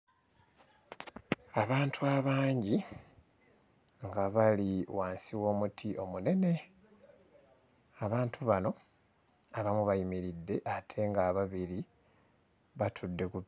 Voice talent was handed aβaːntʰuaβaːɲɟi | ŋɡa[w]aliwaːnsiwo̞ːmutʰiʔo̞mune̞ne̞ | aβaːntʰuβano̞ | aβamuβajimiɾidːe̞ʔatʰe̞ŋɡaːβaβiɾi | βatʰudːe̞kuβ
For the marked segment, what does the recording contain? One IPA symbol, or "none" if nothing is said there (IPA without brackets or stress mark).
β